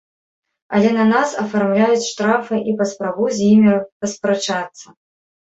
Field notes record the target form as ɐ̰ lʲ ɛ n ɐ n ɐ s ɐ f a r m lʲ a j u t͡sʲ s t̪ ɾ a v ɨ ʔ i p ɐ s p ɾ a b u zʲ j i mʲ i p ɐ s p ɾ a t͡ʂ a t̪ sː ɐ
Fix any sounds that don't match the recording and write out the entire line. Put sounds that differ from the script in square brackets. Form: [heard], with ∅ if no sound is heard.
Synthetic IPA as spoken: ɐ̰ lʲ ɛ n ɐ n [a] s ɐ f a r m lʲ a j u t͡sʲ [ʂ] t̪ ɾ a [f] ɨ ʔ i p ɐ s p ɾ a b u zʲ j i mʲ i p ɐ s p ɾ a t͡ʂ a t̪ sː ɐ